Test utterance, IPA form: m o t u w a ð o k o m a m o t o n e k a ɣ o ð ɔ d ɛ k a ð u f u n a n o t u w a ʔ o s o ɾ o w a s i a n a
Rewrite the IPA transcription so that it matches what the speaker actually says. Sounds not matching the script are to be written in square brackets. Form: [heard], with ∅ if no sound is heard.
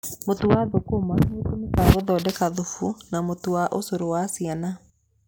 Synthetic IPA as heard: m o t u w a ð o k o m a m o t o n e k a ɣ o ð ɔ d ɛ k a ð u f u n a [m] o t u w a ʔ o s o ɾ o w a s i a n a